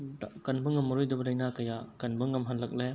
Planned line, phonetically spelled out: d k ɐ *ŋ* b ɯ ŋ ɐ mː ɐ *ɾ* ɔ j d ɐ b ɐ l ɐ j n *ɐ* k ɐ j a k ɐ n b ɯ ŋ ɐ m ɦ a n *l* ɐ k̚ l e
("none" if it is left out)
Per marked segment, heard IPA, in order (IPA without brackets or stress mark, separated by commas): n, ɾ, a, l